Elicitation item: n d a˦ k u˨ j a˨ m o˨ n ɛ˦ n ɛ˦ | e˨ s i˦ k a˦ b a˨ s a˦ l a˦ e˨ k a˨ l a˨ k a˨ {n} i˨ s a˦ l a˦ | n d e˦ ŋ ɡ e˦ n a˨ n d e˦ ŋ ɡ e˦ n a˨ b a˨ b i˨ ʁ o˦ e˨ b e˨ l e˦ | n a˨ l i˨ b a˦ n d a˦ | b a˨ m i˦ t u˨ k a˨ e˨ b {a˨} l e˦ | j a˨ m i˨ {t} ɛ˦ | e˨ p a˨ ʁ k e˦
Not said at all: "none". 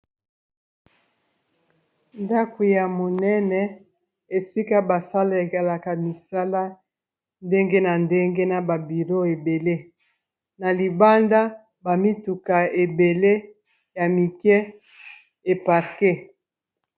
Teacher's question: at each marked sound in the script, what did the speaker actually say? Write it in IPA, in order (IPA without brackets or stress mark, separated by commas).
m, e˨, k